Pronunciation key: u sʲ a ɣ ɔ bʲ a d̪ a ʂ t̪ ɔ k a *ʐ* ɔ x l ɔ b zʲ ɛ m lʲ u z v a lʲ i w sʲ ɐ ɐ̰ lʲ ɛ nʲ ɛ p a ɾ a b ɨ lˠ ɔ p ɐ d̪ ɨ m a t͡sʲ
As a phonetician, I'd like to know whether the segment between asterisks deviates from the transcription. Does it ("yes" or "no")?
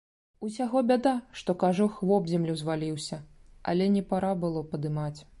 no